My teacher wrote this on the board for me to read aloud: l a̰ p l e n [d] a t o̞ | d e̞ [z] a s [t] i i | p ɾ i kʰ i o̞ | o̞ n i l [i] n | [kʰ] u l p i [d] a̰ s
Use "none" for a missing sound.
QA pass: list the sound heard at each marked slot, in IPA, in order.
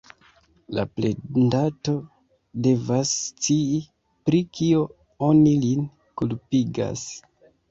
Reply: d, v, t͡s, i, k, ɡ

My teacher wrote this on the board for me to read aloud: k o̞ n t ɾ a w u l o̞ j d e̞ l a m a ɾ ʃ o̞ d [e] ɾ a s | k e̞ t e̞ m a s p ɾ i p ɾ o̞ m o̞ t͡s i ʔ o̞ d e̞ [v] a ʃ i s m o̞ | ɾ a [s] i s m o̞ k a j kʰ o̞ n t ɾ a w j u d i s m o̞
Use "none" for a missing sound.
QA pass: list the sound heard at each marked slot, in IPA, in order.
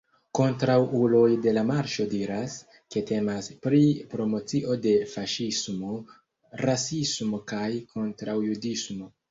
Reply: i, f, s

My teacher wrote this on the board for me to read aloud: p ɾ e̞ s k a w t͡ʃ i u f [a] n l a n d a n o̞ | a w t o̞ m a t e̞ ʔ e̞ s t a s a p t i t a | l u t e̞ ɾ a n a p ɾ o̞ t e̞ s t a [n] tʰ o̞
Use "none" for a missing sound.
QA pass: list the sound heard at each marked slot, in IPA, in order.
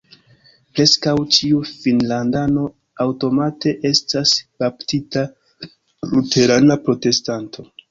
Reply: i, n

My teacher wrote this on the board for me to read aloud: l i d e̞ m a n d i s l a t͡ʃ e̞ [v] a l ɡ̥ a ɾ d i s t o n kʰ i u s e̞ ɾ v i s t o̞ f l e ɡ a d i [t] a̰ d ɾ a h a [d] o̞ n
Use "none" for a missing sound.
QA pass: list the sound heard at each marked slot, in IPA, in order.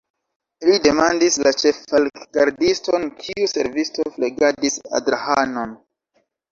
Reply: f, s, n

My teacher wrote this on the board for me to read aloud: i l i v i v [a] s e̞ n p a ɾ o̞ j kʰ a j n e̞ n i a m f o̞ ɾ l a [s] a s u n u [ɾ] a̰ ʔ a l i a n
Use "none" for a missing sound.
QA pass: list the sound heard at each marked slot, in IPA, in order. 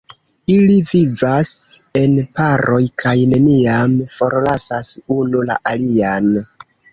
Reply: a, s, l

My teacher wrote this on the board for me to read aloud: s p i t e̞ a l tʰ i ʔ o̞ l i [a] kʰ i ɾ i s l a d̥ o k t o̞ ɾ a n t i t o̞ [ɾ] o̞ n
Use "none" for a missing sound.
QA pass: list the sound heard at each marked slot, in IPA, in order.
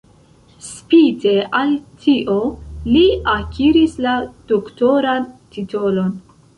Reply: a, l

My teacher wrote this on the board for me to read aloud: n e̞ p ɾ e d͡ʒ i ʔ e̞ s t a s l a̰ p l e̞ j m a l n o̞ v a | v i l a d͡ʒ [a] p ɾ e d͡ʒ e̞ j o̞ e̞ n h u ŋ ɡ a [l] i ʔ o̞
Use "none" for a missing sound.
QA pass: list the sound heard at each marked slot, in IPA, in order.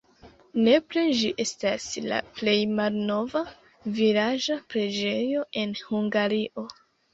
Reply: a, ɾ

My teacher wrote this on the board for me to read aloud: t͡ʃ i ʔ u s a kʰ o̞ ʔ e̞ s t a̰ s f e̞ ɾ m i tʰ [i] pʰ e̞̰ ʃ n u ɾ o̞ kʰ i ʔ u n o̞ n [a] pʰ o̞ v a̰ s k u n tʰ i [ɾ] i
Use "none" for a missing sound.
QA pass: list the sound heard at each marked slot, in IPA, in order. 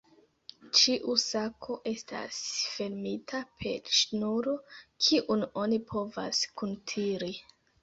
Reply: a, i, ɾ

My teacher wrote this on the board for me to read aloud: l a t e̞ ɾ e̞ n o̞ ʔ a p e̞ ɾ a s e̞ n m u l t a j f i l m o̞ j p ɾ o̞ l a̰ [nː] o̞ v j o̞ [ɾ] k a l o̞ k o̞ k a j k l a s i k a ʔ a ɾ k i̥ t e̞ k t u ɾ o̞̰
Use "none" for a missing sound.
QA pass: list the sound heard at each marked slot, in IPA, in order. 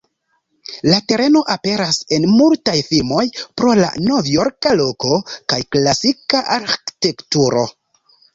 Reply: n, ɾ

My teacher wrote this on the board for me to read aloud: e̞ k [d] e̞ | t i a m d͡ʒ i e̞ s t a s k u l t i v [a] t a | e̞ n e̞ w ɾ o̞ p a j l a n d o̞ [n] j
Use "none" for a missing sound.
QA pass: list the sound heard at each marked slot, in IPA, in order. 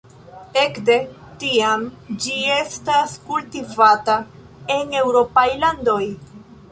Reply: d, a, none

